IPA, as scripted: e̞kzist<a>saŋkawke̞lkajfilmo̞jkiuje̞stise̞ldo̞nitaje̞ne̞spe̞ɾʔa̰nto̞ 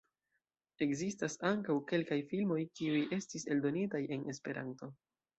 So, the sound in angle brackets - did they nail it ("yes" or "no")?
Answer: yes